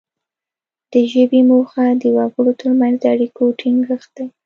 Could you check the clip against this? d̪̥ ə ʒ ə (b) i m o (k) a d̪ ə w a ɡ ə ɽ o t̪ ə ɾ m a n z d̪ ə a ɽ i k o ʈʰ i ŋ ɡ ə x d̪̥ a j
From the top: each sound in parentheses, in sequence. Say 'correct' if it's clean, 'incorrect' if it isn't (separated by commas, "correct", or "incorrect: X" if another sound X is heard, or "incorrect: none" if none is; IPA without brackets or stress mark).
correct, incorrect: x